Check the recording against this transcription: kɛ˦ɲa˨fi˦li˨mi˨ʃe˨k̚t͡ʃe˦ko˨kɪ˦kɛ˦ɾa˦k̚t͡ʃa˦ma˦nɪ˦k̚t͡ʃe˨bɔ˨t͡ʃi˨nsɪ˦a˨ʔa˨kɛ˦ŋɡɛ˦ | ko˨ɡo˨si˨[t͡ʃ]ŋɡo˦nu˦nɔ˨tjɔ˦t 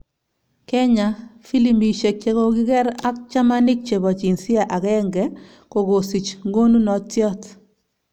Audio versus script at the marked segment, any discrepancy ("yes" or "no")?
no